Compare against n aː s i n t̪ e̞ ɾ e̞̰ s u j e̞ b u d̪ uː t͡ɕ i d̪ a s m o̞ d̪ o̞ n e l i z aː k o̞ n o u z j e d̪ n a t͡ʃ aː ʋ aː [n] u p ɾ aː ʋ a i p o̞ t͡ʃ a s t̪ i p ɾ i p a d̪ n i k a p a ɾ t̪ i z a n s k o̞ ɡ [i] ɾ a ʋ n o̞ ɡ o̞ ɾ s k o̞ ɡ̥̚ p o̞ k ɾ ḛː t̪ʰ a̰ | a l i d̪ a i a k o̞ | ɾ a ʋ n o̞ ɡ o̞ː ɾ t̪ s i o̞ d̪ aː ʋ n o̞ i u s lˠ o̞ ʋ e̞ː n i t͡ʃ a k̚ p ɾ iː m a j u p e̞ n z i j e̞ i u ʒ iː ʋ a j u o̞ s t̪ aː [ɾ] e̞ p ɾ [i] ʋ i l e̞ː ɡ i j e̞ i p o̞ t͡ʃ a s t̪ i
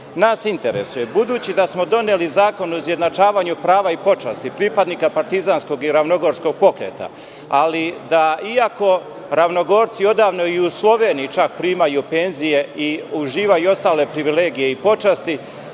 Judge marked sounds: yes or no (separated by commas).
no, yes, no, yes